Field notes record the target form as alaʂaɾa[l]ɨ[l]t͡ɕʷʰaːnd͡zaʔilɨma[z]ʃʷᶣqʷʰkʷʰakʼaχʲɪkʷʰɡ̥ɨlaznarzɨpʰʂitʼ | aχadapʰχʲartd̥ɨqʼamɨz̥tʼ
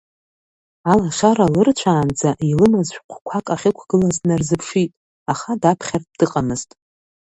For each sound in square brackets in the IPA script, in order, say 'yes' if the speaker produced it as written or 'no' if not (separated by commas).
yes, no, yes